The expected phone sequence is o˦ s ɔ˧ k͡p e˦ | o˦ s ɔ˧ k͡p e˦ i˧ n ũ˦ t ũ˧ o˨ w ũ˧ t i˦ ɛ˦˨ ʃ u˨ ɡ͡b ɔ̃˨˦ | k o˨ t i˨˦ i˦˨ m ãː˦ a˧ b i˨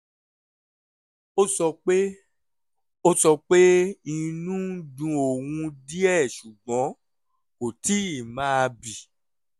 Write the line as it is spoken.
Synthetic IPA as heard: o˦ s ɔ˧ k͡p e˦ | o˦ s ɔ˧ k͡p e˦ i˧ n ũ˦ d ũ˧ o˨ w ũ˧ d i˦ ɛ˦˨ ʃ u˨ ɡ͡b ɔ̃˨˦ | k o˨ t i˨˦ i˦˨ m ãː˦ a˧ b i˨